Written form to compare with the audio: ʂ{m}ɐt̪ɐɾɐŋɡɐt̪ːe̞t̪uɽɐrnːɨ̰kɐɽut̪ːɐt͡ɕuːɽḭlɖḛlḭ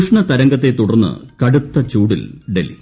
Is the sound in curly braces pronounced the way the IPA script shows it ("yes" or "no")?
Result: no